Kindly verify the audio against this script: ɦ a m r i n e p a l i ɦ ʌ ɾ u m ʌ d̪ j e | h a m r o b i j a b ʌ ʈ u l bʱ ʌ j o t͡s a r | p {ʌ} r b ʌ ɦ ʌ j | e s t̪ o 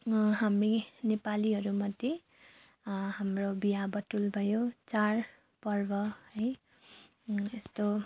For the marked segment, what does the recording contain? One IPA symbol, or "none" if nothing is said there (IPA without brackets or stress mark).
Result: ʌ